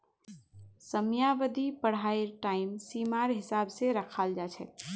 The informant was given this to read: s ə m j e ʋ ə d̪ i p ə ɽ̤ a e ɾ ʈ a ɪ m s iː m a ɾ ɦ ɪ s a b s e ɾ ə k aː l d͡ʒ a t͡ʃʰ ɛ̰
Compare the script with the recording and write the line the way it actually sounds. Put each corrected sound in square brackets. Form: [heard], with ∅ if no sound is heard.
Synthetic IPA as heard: s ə m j [a] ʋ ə d̪ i p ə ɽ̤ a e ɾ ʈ a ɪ m s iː m a ɾ ɦ ɪ s a b s e ɾ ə [kʰ] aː l d͡ʒ a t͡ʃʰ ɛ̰